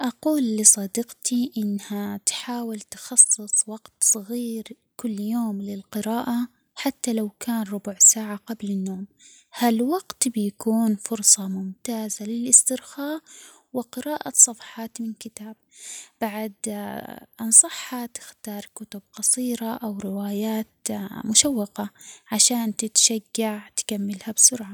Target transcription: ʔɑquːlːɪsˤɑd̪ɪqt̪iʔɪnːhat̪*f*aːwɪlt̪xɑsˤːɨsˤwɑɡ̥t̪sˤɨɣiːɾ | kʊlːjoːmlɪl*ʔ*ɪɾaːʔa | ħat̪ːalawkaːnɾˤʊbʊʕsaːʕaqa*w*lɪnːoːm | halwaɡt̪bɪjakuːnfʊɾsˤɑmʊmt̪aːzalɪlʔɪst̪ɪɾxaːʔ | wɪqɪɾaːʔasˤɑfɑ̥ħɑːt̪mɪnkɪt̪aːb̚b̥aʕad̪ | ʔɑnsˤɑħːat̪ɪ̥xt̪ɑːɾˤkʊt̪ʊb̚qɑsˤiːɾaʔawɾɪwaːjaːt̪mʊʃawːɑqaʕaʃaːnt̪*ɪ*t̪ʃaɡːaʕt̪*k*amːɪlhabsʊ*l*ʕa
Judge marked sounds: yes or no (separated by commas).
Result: no, no, no, yes, yes, no